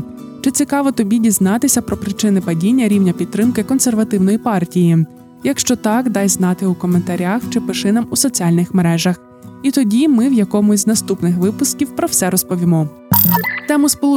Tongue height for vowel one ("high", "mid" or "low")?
high